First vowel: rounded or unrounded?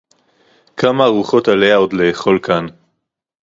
unrounded